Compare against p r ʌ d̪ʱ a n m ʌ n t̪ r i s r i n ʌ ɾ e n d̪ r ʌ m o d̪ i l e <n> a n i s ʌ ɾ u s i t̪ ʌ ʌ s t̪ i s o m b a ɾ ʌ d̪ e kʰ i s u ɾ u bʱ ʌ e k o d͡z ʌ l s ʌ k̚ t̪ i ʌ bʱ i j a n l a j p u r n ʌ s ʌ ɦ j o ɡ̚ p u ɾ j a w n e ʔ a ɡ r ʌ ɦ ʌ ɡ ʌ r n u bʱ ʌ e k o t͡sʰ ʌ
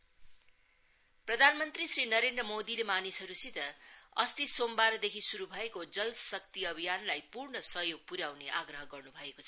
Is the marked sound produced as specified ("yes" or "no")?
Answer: no